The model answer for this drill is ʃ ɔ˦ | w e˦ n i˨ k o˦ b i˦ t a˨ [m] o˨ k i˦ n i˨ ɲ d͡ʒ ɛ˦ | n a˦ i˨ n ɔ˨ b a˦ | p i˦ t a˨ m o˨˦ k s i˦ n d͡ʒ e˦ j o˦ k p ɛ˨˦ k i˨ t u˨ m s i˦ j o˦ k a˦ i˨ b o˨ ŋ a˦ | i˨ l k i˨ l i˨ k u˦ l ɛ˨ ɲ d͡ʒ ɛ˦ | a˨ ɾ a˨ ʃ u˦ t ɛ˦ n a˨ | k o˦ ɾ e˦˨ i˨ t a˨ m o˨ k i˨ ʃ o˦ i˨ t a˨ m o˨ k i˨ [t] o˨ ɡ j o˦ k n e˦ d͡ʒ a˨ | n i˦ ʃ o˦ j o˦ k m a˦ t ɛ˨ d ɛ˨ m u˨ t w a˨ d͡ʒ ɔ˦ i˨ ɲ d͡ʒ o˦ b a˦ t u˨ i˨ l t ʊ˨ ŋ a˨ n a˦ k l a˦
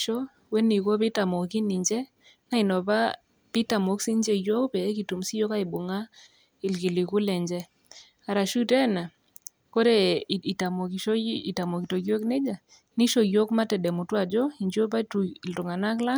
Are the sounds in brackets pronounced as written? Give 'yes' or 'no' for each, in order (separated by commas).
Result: yes, yes